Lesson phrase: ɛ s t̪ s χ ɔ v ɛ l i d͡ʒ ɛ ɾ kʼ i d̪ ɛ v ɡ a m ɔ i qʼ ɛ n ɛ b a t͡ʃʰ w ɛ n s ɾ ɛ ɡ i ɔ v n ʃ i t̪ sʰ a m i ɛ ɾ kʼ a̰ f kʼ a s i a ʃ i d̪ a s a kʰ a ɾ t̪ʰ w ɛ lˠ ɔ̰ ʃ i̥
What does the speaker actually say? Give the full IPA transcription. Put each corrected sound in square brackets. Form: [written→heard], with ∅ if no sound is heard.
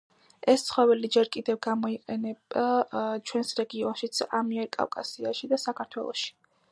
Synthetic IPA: ɛ s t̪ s χ ɔ v ɛ l i d͡ʒ ɛ ɾ kʼ i d̪ ɛ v ɡ a m ɔ i qʼ ɛ n ɛ b a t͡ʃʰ w ɛ n s ɾ ɛ ɡ i ɔ [v→∅] n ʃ i t̪ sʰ a m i ɛ ɾ kʼ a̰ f kʼ a s i a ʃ i d̪ a s a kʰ a ɾ t̪ʰ w ɛ lˠ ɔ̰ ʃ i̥